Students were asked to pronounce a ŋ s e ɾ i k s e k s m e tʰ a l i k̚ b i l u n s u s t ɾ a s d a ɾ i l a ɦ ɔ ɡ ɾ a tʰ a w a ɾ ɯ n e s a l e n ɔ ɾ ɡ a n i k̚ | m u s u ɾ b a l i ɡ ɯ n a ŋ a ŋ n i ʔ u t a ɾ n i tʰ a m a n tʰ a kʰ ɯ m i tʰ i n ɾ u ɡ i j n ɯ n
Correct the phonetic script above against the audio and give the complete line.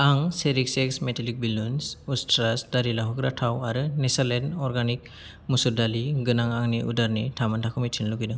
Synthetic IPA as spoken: a ŋ s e ɾ i k s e k s m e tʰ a l i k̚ b i l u n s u s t ɾ a s d a ɾ i l a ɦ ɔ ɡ ɾ a tʰ a w a ɾ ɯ n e s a l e n ɔ ɾ ɡ a n i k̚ | m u s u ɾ d a l i ɡ ɯ n a ŋ a ŋ n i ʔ u d a ɾ n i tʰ a m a n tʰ a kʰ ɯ m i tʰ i n l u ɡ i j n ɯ ŋ